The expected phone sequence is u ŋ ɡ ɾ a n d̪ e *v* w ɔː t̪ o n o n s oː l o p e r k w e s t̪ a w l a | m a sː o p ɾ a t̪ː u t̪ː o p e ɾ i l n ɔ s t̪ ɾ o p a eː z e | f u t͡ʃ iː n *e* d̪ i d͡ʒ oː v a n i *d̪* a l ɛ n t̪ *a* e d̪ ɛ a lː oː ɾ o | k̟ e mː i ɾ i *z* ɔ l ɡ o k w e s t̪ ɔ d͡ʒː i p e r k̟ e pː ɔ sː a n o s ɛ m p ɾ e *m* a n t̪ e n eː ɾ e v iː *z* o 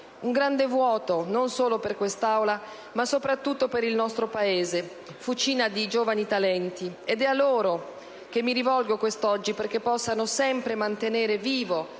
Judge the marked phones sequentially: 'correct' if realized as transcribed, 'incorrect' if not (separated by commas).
correct, incorrect, incorrect, incorrect, incorrect, correct, incorrect